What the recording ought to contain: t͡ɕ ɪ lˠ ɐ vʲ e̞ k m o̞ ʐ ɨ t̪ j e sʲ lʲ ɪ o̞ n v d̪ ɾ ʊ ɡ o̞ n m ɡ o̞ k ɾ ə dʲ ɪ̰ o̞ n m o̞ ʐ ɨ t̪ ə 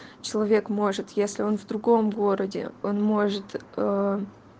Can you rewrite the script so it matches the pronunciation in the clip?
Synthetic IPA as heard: t͡ɕ ɪ lˠ ɐ vʲ e̞ k m o̞ ʐ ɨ t̪ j e sʲ lʲ ɪ o̞ n v d̪ ɾ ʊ ɡ o̞ m ɡ o̞ ɾ ə dʲ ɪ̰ o̞ n m o̞ ʐ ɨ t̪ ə